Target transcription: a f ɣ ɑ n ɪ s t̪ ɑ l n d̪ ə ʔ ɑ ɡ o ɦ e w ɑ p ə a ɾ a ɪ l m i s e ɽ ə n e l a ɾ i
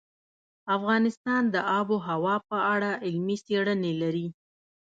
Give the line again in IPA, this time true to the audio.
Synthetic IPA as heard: a f ɣ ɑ n ɪ s t̪ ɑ n d̪ ə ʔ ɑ b o ɦ a w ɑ p ə a ɽ a ɪ l m i s e ɽ ə n e l a ɾ i